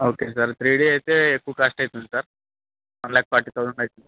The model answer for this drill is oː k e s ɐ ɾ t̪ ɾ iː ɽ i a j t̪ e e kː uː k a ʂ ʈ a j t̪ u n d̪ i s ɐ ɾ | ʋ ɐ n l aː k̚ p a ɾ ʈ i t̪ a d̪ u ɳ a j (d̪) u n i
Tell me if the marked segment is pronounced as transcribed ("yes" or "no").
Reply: no